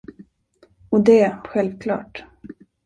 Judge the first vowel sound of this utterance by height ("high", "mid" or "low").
mid